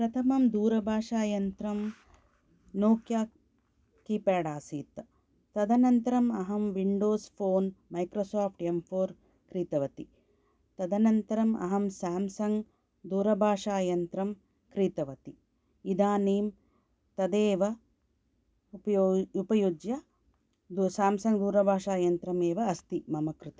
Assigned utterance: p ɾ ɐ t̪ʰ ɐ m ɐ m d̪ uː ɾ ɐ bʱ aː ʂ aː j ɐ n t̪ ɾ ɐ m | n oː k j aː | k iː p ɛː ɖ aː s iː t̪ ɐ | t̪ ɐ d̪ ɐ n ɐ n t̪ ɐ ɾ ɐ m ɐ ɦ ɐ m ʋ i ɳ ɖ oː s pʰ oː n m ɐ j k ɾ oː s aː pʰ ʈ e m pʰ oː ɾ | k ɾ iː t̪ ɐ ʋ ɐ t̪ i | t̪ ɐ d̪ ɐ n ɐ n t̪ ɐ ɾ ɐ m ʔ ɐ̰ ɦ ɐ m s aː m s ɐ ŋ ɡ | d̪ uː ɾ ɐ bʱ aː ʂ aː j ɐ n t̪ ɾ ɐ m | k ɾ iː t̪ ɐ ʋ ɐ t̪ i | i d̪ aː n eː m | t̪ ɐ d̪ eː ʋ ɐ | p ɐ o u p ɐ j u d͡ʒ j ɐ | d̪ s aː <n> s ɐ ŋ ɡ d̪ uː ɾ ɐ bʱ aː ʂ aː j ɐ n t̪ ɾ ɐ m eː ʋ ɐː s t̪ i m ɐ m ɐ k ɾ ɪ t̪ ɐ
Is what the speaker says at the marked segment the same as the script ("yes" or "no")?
no